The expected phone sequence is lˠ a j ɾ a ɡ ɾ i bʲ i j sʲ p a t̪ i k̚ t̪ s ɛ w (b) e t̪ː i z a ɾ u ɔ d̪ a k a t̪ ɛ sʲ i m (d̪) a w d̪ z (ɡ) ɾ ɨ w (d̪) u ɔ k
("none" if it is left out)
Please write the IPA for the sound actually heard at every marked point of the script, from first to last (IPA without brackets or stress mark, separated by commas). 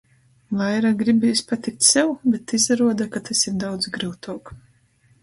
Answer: b, d̪, ɡ, t̪